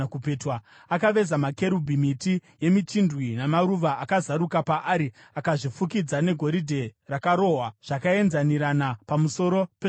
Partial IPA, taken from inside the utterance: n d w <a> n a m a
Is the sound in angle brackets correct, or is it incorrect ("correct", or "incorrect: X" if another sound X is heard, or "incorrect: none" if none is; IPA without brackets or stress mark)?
incorrect: i